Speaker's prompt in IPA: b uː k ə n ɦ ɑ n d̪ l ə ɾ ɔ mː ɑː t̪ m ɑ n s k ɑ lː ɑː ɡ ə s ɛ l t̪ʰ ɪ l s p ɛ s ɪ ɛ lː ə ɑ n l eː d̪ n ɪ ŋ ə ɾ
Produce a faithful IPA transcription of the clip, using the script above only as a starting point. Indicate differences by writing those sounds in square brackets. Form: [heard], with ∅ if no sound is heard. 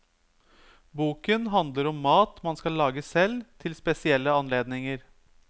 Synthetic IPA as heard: b uː k ə n ɦ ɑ n d̪ l ə ɾ ɔ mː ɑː t̪ m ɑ n s k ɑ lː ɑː ɡ ə s ɛ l t̪ʰ ɪ l s p ɛ s ɪ ɛ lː ə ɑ n l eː d̪ n ɪ ŋ ə ɾ